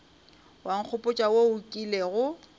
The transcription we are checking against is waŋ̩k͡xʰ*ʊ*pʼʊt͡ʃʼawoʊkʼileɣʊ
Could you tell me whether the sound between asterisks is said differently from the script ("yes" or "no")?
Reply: no